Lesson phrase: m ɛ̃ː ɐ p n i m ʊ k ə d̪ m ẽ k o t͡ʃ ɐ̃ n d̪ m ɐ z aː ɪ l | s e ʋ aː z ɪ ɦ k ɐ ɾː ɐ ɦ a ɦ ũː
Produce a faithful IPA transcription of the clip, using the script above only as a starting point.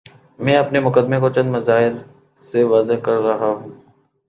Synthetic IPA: m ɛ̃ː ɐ p n e m ʊ k ə d̪ m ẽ k o t͡ʃ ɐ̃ n d̪ m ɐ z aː ɪ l | s e ʋ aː z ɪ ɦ k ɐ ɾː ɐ ɦ a ɦ ũː